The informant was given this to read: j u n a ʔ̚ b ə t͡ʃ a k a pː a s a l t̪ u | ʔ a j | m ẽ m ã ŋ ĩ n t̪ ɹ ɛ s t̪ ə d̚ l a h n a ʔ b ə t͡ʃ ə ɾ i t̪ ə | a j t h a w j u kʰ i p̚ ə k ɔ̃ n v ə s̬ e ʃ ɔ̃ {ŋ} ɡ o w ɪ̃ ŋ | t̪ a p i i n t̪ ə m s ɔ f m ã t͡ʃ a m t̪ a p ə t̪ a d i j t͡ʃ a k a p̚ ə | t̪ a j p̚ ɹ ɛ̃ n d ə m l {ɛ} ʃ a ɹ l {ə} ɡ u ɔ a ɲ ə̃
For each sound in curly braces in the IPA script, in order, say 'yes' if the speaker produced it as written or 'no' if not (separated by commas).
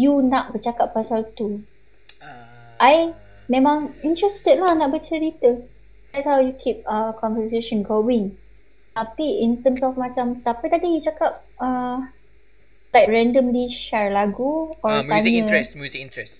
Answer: no, no, no